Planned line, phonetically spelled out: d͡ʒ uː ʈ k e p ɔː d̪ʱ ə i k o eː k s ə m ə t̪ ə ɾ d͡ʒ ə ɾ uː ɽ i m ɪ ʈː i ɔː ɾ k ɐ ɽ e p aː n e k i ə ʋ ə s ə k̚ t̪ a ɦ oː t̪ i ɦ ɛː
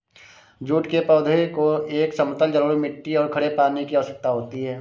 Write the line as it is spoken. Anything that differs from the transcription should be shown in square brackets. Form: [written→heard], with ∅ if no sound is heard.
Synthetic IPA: d͡ʒ uː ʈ k e p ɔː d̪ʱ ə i k o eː k s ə m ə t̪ ə [ɾ→l] d͡ʒ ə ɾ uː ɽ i m ɪ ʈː i ɔː ɾ [k→kʰ] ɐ ɽ e p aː n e k i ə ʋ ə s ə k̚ t̪ a ɦ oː t̪ i ɦ ɛː